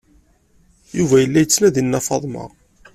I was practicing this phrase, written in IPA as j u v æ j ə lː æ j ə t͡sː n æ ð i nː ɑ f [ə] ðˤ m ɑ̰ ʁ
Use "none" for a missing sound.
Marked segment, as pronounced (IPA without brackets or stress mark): ɑ